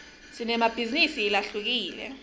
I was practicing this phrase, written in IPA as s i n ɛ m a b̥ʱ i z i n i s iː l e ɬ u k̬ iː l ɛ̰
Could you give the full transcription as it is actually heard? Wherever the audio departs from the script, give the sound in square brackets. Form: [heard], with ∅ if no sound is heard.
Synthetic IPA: s i n ɛ m a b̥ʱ i z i n i s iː l [a] ɬ u k̬ iː l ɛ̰

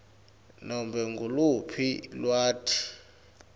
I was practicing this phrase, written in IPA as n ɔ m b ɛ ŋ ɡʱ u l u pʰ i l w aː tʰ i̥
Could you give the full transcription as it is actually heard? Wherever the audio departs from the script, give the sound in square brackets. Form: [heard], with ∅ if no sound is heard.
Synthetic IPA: n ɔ m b ɛ ŋ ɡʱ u l u pʰ i l w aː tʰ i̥

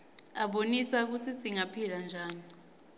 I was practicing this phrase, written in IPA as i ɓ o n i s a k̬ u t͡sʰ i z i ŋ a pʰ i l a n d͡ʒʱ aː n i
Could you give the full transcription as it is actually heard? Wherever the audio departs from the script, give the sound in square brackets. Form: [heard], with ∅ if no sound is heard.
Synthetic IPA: [a] ɓ o n i s a k̬ u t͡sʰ i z i ŋ a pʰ i l a n d͡ʒʱ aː n i

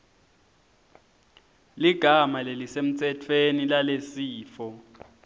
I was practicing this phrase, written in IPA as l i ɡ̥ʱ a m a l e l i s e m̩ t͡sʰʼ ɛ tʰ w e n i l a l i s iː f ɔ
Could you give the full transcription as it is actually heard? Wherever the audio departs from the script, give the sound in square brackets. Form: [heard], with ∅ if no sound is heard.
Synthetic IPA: l i ɡ̥ʱ a m a l e l i s e m̩ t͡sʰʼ ɛ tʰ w e n i l a l [e] s iː f ɔ

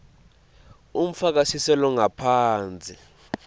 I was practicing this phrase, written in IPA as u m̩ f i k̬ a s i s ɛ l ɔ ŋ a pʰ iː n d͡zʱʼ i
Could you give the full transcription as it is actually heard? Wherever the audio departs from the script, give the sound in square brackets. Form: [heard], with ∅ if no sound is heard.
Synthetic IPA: u m̩ f [a] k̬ a s i s ɛ l ɔ ŋ a pʰ [aː] n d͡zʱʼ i

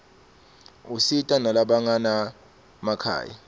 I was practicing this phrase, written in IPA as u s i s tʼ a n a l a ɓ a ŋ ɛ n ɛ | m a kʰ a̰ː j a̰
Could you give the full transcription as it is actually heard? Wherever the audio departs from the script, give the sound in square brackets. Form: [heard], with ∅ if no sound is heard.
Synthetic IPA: u s i [∅] tʼ a n a l a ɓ a ŋ [a] n [a] | m a kʰ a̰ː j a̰

